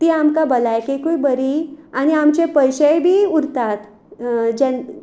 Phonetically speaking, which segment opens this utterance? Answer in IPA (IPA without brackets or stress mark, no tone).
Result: t̪